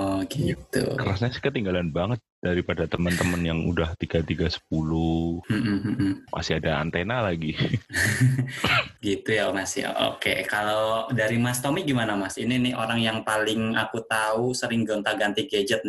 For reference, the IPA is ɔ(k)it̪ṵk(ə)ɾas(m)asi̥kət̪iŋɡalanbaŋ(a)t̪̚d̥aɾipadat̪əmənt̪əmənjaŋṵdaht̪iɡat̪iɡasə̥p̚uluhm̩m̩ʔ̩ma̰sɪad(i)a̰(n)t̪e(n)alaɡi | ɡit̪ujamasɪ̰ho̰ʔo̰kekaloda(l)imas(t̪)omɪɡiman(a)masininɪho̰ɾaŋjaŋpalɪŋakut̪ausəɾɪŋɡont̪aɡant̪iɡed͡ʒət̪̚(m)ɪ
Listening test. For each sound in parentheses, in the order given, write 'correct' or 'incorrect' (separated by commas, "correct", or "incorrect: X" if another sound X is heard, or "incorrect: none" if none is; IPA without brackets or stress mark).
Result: incorrect: ɡ, correct, incorrect: ɲ, incorrect: ə, incorrect: a, correct, correct, incorrect: ɾ, correct, correct, incorrect: n